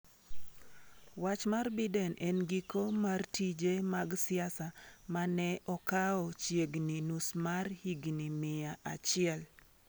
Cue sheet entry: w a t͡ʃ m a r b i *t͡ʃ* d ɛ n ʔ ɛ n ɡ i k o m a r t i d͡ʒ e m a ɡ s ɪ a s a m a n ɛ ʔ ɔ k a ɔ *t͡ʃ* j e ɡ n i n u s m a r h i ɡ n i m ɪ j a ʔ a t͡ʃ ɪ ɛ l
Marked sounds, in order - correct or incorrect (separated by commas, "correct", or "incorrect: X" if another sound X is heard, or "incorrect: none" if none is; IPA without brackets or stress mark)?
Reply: incorrect: none, correct